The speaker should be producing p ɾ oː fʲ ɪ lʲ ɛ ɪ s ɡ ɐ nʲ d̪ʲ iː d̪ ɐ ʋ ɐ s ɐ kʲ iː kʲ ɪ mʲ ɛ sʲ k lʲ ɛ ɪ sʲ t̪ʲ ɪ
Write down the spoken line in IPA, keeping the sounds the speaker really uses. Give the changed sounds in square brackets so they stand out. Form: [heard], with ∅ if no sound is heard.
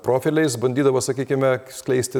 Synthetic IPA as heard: p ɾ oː fʲ ɪ lʲ ɛ ɪ s [b] ɐ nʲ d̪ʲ iː d̪ ɐ ʋ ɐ s ɐ kʲ iː kʲ ɪ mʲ ɛ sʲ k lʲ ɛ ɪ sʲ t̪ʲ ɪ